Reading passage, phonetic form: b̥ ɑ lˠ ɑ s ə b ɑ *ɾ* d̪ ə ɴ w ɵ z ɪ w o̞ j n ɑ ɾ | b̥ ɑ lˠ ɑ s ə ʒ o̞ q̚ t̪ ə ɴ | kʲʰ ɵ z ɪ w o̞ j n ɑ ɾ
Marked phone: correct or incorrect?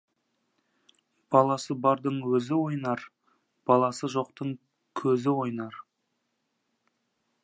correct